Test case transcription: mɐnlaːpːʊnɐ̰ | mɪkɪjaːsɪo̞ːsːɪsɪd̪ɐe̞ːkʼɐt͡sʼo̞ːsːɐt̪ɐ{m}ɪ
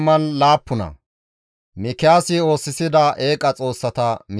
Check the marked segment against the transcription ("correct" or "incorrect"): correct